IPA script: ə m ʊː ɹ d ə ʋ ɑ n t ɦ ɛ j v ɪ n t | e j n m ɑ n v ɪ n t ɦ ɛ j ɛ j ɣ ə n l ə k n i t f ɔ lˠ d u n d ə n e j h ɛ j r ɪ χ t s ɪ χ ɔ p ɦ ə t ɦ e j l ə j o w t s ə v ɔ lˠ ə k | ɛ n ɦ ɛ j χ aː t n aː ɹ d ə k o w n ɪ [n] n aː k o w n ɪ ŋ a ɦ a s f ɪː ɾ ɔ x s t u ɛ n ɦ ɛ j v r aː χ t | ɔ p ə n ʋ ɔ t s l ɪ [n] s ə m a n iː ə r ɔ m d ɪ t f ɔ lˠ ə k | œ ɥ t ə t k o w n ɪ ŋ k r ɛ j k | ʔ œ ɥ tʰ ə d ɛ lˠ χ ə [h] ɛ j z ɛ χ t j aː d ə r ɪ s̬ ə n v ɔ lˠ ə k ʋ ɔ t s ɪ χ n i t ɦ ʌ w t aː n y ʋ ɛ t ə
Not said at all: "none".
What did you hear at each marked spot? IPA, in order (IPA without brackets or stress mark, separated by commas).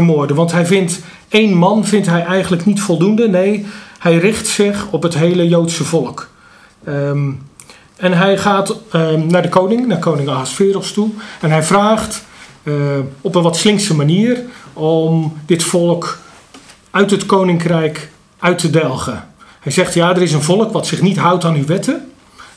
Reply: ŋ, ŋ, h